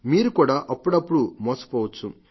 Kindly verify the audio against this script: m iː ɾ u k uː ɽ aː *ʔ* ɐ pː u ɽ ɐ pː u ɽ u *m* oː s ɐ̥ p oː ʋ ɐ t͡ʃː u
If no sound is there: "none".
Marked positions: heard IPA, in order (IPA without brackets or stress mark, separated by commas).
ʔ, m